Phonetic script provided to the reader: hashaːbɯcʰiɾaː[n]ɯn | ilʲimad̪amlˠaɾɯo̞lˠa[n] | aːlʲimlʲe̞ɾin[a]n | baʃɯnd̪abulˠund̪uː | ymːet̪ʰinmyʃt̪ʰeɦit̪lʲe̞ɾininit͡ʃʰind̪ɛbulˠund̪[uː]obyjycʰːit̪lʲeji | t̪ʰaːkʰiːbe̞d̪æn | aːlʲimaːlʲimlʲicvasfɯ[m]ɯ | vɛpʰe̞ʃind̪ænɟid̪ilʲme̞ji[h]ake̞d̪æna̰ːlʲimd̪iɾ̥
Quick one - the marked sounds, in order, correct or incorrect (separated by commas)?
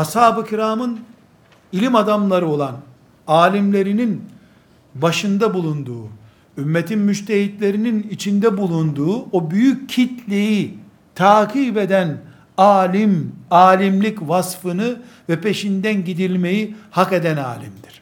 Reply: incorrect, correct, incorrect, correct, incorrect, correct